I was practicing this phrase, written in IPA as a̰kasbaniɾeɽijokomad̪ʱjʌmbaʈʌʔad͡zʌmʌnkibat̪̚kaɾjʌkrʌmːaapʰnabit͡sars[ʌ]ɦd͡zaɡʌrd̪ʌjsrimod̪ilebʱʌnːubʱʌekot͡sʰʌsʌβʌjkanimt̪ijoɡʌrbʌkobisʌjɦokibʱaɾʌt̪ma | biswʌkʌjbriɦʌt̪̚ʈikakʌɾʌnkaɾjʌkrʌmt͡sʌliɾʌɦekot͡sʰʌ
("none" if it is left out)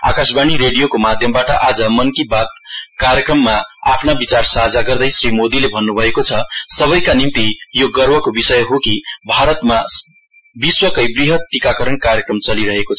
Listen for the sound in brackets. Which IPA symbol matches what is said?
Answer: a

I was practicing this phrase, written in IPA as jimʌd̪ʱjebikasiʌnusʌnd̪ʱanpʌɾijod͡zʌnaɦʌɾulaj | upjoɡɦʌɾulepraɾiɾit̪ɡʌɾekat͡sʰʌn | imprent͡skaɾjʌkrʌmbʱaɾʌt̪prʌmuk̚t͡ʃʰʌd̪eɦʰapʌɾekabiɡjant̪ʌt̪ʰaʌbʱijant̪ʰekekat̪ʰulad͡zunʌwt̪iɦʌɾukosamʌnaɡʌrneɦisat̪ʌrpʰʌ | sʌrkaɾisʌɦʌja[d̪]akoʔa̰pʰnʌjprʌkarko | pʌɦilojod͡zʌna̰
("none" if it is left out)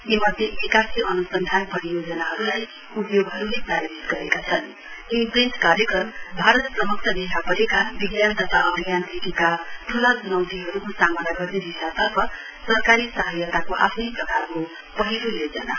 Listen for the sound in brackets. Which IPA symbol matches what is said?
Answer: t̪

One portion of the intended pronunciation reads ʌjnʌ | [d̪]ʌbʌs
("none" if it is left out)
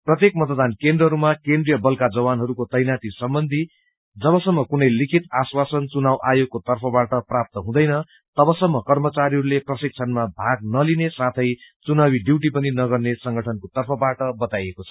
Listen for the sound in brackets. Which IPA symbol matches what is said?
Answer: t̪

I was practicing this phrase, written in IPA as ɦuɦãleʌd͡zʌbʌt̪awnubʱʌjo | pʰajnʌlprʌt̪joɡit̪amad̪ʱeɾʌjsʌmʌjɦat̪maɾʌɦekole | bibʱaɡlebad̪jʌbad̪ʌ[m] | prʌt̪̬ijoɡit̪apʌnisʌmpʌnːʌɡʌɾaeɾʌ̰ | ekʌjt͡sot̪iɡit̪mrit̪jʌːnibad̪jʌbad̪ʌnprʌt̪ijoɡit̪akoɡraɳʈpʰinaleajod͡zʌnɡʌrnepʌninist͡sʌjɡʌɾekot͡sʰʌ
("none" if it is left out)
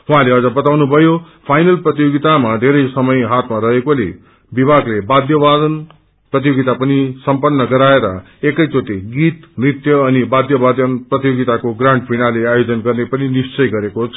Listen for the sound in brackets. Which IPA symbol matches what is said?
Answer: n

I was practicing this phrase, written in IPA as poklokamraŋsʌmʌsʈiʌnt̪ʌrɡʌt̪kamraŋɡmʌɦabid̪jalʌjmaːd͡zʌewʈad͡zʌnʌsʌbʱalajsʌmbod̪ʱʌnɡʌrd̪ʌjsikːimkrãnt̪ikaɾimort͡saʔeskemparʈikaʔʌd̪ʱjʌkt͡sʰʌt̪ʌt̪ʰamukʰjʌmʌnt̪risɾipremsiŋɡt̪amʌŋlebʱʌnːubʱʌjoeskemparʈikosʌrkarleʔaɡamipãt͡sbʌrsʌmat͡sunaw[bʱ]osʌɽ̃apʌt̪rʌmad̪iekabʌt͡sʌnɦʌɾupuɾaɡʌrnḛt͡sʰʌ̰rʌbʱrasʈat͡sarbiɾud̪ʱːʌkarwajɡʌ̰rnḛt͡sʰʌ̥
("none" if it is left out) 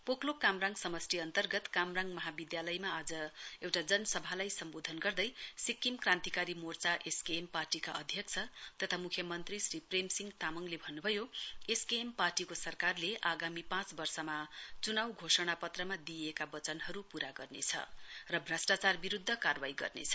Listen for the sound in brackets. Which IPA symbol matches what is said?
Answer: ɡʱ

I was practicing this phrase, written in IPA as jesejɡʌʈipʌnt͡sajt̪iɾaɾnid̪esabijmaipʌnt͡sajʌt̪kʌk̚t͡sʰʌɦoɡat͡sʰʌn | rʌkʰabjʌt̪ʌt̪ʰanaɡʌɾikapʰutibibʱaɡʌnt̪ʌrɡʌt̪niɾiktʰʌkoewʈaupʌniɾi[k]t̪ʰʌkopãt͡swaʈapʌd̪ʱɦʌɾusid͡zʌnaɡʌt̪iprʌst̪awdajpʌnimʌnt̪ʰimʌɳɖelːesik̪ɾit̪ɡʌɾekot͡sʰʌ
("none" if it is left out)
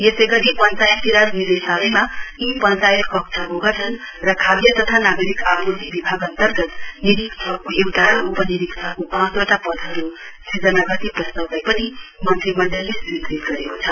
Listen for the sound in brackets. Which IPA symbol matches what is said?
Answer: k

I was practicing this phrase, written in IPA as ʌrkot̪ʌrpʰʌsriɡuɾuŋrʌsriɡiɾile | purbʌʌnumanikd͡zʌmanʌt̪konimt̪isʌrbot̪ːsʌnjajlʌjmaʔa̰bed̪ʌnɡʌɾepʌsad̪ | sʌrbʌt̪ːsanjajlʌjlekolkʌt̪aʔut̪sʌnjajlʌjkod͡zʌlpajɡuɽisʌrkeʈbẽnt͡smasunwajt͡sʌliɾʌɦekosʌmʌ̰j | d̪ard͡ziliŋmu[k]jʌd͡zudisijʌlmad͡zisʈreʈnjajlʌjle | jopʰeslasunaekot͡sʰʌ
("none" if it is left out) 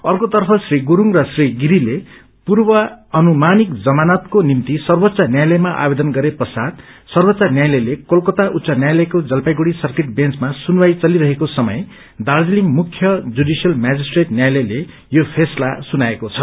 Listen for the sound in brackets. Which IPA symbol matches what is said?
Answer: kʰ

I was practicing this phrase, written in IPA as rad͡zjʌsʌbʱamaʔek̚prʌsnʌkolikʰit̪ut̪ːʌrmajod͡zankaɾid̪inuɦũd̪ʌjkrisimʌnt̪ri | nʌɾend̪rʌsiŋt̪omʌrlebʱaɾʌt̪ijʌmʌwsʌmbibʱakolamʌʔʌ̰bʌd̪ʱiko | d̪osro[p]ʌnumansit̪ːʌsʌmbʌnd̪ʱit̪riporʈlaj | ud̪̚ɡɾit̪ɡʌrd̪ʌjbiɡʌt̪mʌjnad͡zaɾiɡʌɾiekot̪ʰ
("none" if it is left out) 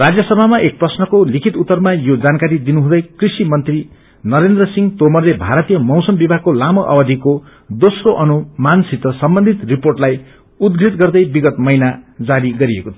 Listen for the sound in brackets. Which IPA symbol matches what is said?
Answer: ʔ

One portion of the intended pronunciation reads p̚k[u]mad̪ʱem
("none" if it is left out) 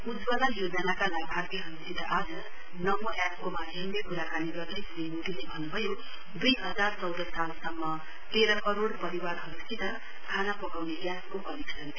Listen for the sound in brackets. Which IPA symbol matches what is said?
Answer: o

